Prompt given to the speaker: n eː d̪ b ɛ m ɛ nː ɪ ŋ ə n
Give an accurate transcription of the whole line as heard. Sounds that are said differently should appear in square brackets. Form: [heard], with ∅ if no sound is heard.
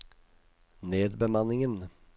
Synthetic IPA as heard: n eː d̪ b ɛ m [a] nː ɪ ŋ ə n

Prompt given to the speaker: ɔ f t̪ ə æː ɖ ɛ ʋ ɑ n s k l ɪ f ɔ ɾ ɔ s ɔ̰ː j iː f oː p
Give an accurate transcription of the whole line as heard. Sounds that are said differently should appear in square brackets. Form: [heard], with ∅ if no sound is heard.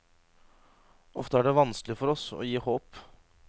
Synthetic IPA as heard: ɔ f t̪ ə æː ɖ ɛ ʋ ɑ n s k l ɪ f ɔ ɾ ɔ s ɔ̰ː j iː [h] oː p

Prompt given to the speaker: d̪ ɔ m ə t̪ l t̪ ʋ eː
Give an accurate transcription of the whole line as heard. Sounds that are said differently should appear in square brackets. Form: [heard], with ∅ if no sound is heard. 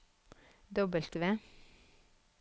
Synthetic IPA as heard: d̪ ɔ [b] ə [∅] l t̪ ʋ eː

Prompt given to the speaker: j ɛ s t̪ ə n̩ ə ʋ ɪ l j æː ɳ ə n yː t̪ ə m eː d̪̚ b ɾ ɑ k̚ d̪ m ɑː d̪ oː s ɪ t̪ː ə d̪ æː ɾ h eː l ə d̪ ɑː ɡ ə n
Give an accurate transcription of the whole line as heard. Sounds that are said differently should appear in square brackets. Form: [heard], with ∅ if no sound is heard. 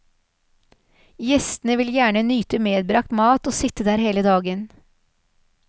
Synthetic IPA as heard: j ɛ s t̪ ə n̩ ə ʋ ɪ l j æː ɳ ə n yː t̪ ə m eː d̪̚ b ɾ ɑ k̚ [t̪] m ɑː [t̪] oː s ɪ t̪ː ə d̪ æː ɾ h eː l ə d̪ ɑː ɡ ə n

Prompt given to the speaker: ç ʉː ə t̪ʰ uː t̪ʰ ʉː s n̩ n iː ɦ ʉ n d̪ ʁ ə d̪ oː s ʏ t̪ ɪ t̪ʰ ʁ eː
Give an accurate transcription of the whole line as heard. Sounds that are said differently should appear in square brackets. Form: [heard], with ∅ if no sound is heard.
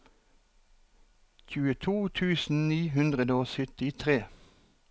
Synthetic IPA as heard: ç ʉː ə t̪ʰ uː t̪ʰ ʉː s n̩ n iː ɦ ʉ n d̪ ʁ ə d̪ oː s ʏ t̪ ɪ t̪ʰ ʁ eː

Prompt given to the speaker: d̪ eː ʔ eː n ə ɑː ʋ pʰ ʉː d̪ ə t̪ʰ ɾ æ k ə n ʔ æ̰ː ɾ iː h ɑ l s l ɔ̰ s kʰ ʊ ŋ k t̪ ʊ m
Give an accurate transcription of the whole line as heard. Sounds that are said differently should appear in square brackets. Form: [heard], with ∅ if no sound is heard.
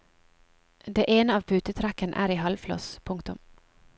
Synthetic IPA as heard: d̪ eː ʔ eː n ə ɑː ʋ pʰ ʉː [t̪] ə t̪ʰ ɾ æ k ə n ʔ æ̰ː ɾ iː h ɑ l [f] l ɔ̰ s [pʰ] ʊ ŋ k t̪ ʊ m

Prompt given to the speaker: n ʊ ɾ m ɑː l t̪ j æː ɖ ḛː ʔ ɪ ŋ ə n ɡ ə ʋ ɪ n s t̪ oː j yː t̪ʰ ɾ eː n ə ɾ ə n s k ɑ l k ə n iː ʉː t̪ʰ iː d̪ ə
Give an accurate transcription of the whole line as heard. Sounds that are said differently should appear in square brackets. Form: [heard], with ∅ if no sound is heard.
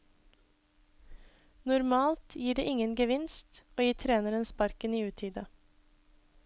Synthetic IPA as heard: n ʊ ɾ m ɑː l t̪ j [iː] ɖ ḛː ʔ ɪ ŋ ə n ɡ ə ʋ ɪ n s t̪ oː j [iː] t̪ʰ ɾ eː n ə ɾ ə n s [p] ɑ [ɾ] k ə n iː ʉː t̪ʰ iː d̪ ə

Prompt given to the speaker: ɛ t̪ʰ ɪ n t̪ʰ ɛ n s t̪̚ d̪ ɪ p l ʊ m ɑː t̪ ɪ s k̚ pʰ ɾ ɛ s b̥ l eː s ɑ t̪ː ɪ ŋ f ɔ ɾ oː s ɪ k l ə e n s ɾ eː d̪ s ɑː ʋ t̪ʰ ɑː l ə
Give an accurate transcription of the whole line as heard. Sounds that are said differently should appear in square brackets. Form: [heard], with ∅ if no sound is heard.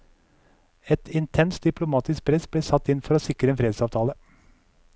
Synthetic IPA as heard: ɛ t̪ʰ ɪ n t̪ʰ ɛ n s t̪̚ d̪ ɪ p l ʊ m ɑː t̪ ɪ s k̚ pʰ ɾ ɛ s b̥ l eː s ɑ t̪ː ɪ [n] f ɔ ɾ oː s ɪ k [ɾ] ə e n [f] ɾ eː d̪ s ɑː ʋ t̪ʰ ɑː l ə

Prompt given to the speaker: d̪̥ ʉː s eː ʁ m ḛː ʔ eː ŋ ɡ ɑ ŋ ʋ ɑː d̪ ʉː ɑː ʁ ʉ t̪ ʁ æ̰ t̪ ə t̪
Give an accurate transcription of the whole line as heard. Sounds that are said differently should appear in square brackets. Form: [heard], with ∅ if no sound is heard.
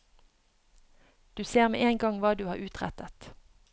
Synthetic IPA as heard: d̪̥ ʉː s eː ʁ m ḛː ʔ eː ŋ ɡ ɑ ŋ ʋ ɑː d̪ ʉː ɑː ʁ [ʉː] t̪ ʁ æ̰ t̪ ə t̪

